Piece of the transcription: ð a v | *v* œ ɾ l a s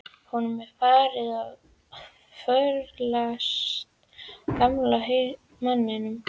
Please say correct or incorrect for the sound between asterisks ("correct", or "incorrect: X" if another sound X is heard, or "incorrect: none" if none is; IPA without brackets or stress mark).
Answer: incorrect: f